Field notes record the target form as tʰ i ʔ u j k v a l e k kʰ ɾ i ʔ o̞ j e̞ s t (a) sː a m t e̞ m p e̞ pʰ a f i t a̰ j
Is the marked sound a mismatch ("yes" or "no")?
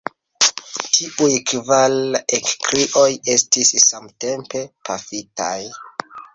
yes